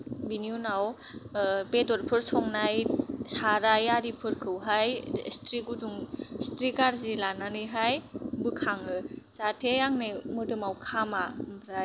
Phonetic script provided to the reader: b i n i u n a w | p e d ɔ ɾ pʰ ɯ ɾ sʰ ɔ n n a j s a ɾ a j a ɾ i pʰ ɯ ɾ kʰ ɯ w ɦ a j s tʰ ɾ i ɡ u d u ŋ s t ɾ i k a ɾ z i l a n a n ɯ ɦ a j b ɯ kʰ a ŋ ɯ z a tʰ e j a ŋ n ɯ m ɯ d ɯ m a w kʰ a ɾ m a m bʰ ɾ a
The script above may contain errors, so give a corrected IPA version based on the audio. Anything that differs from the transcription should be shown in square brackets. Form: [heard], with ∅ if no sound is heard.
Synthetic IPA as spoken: b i n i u n a w | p e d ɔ ɾ pʰ ɯ ɾ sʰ ɔ [ŋ] n a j s a ɾ a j a ɾ i pʰ ɯ ɾ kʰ ɯ w ɦ a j s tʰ ɾ i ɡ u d u ŋ s t ɾ i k a ɾ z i l a n a n ɯ ɦ a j b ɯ kʰ a ŋ ɯ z a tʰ e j a ŋ n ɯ m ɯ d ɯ m a w kʰ a [∅] m a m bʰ ɾ a